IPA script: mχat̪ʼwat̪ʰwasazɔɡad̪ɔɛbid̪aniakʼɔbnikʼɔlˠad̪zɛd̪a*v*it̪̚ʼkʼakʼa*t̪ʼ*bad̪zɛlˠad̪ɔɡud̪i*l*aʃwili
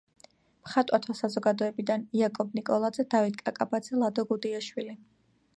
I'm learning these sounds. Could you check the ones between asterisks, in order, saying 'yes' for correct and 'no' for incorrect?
yes, no, no

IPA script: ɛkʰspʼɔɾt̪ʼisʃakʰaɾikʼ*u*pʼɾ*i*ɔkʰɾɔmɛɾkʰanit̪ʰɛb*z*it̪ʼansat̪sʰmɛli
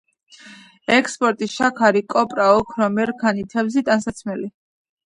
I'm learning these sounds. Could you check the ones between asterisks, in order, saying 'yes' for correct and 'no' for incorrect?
no, no, yes

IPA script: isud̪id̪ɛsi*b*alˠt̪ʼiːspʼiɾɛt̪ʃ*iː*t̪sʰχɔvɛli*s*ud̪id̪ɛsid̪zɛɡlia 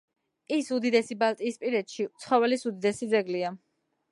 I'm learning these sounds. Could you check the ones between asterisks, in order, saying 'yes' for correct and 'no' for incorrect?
yes, no, yes

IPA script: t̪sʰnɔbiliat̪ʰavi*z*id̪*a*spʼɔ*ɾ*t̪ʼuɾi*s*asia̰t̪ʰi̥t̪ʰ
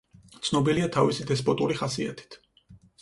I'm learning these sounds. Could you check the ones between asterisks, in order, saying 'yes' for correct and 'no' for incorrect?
no, no, no, no

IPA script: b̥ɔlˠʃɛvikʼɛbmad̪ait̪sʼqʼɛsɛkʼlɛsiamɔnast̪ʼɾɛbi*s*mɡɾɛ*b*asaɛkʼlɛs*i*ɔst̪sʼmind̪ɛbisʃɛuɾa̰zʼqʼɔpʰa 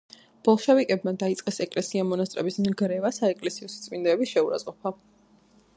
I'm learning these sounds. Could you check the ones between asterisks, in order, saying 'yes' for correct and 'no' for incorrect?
yes, no, yes

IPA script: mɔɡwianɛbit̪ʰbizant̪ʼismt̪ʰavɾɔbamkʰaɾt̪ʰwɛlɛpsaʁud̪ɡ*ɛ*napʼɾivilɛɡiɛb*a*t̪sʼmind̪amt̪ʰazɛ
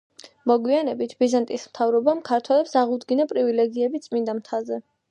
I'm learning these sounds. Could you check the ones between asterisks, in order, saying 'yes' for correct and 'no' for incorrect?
no, no

